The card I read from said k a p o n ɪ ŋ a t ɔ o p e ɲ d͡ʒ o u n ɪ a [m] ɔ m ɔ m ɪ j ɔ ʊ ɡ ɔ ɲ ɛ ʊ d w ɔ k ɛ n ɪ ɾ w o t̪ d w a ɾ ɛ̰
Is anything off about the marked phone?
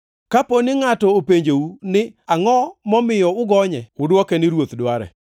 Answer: yes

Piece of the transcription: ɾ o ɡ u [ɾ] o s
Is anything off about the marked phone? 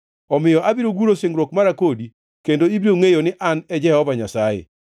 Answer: no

